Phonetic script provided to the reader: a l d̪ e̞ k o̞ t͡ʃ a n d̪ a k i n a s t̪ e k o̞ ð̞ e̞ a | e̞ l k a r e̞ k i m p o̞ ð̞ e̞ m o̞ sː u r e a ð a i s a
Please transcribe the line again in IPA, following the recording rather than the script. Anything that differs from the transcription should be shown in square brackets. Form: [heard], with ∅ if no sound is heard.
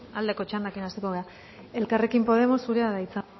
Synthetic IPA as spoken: a l d̪ e̞ k o̞ t͡ʃ a n d̪ a k i n a s t̪ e k o̞ [ɣ̞] e̞ a | e̞ l k a r e̞ k i m p o̞ ð̞ e̞ m o̞ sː u [ɾ] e a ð a i [t͡s] a